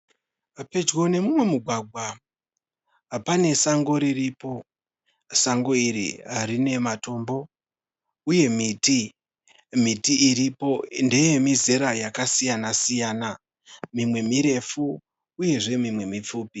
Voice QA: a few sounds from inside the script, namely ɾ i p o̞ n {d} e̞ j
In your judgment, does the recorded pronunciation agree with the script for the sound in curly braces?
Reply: yes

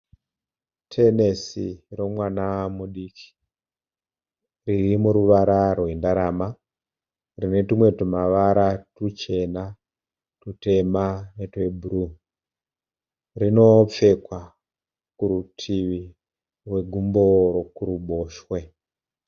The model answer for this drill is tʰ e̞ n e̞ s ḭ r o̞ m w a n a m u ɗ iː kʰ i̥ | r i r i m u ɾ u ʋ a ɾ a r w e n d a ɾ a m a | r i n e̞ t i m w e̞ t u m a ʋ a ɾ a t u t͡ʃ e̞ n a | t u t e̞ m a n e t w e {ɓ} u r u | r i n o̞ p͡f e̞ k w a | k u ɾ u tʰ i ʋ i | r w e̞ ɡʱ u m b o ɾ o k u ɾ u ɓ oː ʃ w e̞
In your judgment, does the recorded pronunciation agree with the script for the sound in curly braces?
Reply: no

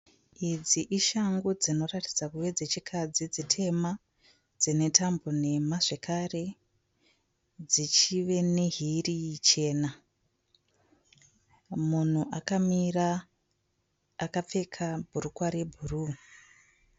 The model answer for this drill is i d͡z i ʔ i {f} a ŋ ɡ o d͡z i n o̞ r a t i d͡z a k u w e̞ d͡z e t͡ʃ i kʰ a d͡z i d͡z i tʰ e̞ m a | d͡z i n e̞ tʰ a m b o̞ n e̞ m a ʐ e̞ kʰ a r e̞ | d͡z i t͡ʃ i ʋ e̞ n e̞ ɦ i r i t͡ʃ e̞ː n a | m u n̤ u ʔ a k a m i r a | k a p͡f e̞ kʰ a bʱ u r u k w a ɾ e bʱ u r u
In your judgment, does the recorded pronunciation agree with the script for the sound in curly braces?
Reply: no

